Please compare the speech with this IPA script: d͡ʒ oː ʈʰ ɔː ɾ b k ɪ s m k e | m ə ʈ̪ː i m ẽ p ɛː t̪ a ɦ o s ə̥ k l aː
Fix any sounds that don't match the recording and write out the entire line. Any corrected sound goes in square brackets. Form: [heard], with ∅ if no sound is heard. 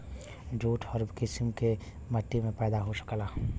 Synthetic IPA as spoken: d͡ʒ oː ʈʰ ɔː ɾ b k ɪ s m k e | m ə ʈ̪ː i m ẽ p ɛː [d̪] a ɦ o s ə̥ k l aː